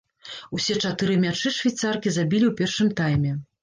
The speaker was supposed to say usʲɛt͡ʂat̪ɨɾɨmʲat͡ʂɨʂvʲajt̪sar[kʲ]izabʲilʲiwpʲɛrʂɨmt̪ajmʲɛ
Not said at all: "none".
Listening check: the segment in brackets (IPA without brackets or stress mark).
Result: kʲ